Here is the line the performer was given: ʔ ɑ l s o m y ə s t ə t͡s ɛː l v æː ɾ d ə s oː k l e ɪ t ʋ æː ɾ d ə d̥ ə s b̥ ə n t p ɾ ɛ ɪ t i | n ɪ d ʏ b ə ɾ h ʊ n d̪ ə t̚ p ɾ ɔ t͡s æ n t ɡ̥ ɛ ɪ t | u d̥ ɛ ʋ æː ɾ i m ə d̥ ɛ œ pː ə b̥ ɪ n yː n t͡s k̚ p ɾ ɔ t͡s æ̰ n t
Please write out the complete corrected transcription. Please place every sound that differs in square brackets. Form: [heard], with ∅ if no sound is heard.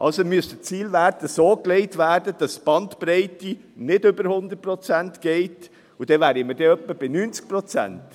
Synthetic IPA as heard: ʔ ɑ l s o m y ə s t ə t͡s [iː] l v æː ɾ d ə s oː k l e ɪ t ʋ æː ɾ d ə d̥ [ɑ] s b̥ [ɑ] n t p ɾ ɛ ɪ t i | n ɪ d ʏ b ə ɾ h ʊ n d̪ ə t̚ p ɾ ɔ t͡s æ n t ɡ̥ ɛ ɪ t | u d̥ ɛ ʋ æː ɾ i m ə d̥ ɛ œ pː ə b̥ ɪ n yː n t͡s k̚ p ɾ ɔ t͡s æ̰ n t